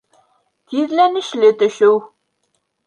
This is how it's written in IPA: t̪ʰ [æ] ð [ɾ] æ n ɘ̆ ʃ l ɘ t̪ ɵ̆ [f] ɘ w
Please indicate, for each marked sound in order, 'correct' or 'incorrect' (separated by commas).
incorrect, incorrect, incorrect